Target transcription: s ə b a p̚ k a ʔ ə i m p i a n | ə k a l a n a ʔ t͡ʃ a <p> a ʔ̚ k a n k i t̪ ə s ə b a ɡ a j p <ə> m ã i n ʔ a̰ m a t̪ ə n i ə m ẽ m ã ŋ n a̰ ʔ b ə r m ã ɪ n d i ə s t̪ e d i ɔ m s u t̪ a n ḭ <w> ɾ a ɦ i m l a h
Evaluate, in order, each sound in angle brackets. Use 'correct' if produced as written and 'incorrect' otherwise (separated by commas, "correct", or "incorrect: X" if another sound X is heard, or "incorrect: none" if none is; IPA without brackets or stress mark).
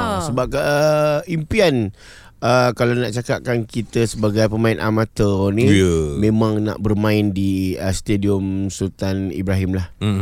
incorrect: k, correct, incorrect: b